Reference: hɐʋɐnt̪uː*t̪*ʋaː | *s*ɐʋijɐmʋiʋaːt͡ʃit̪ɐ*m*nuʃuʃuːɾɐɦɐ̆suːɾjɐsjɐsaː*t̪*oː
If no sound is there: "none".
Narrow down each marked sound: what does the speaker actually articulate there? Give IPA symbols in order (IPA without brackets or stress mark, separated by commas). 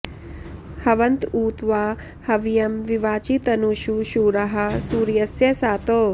t̪, h, none, t̪